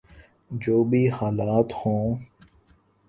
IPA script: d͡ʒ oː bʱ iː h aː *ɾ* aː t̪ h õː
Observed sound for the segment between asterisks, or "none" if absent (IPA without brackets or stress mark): l